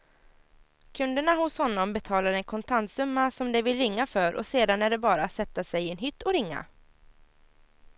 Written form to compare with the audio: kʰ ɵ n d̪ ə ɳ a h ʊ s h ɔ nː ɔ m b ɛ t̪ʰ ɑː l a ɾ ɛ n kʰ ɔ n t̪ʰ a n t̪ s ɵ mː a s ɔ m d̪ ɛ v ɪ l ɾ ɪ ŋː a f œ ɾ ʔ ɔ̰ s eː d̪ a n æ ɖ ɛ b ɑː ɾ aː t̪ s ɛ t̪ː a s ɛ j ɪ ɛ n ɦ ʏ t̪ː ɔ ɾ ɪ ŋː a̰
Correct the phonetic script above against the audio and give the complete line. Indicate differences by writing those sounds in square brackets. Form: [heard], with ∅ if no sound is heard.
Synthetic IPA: kʰ ɵ n d̪ ə ɳ a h ʊ s h ɔ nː ɔ m b ɛ t̪ʰ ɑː l a ɾ ɛ n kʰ ɔ n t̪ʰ a n t̪ s ɵ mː a s ɔ m d̪ ɛ v ɪ l ɾ ɪ ŋː a f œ ɾ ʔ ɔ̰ s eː d̪ a n æ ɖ ɛ b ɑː ɾ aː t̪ s ɛ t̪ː a s ɛ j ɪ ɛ n ɦ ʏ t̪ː ɔ ɾ ɪ ŋː a̰